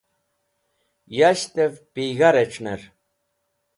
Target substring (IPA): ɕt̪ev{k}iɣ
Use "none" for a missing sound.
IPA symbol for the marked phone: p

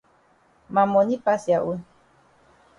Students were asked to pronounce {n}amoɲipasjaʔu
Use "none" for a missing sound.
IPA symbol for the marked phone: m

